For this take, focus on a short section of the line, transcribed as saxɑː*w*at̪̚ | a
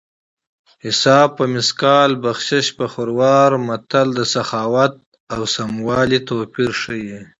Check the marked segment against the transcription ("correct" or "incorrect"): correct